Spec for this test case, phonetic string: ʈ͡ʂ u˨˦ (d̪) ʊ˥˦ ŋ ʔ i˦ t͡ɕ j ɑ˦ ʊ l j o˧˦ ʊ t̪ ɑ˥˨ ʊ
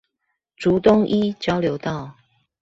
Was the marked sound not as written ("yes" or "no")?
yes